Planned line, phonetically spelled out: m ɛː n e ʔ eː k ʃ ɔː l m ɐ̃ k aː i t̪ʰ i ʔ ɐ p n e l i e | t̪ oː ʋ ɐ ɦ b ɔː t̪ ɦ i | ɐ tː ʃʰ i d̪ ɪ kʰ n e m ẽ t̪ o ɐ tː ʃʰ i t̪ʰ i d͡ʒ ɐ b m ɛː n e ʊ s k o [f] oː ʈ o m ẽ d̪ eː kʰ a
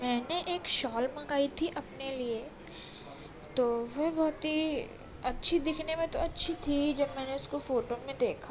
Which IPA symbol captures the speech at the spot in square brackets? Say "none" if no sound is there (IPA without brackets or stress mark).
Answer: f